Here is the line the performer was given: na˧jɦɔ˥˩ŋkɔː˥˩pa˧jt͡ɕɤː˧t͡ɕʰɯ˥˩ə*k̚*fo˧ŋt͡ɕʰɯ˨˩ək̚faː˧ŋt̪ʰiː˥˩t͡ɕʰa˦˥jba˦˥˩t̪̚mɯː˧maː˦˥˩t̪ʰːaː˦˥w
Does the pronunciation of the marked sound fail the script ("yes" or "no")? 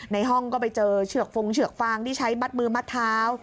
no